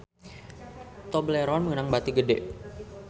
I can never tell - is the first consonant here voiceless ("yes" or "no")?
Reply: yes